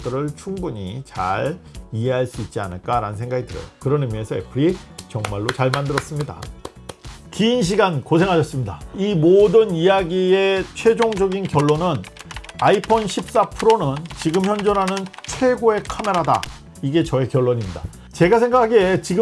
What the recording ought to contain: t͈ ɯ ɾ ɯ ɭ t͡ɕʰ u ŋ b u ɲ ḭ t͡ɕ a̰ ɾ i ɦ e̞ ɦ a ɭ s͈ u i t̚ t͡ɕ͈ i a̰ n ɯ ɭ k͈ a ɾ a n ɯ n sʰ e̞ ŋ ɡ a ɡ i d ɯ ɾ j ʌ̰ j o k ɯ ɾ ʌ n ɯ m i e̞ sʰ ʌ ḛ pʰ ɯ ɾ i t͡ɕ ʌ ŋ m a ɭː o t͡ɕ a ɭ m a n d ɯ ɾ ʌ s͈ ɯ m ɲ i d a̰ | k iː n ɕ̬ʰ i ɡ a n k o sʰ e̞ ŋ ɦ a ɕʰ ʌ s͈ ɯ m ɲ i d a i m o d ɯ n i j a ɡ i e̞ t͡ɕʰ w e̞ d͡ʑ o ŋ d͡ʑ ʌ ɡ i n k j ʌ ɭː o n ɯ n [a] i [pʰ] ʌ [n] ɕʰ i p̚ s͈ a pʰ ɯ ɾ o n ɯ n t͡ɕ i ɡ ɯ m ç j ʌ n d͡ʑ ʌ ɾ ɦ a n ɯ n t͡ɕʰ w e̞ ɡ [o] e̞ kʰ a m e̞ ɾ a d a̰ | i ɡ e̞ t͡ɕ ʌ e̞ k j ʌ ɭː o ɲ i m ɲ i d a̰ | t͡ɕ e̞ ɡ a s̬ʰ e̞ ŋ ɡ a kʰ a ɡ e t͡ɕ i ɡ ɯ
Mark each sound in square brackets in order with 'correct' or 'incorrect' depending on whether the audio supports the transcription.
correct, correct, correct, correct

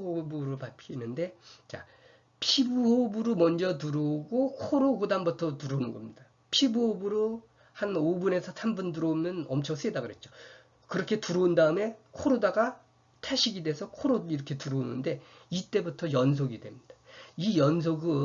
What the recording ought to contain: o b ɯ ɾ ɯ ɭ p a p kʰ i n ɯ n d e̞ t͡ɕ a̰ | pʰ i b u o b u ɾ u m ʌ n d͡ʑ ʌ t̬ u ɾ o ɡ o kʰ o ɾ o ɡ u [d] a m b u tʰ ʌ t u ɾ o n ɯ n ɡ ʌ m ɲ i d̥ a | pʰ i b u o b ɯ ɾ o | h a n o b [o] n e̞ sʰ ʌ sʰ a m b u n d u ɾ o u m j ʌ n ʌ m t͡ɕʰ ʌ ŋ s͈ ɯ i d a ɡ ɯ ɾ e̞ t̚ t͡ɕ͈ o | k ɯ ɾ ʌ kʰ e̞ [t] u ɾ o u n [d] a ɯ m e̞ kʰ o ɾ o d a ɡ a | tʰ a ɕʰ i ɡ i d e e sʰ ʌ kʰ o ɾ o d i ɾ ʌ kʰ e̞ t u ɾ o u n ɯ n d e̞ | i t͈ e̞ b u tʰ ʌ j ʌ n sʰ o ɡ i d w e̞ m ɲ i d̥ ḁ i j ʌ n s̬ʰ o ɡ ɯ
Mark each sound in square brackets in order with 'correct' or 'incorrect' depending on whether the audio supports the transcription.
correct, incorrect, correct, correct

